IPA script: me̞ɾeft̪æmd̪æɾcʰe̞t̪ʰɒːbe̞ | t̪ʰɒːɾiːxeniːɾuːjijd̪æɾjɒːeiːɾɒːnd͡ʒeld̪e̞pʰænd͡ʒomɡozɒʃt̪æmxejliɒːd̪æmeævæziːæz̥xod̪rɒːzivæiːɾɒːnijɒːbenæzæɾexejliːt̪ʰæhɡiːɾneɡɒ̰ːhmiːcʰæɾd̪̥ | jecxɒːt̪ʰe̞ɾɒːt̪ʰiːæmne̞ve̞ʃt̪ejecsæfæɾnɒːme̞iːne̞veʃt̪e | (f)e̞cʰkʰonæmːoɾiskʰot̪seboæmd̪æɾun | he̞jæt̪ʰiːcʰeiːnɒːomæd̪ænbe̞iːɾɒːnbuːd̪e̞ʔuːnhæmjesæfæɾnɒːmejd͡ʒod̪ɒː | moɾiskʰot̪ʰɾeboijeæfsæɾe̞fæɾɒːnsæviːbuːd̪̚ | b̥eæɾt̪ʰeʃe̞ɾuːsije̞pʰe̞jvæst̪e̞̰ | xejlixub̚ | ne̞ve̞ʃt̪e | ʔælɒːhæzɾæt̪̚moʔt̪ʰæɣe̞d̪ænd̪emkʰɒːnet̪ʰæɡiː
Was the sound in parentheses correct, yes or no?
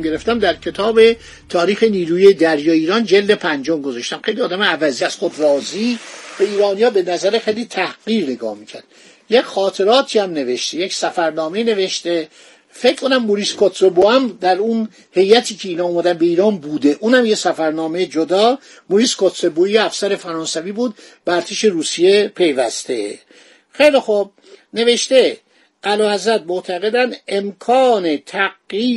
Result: yes